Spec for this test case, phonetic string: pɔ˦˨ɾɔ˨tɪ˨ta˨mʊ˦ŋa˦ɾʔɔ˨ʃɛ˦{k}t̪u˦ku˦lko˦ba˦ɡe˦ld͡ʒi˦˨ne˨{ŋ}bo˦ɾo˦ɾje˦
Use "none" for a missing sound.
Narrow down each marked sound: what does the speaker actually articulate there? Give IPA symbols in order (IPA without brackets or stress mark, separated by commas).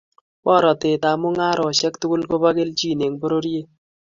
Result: k, ŋ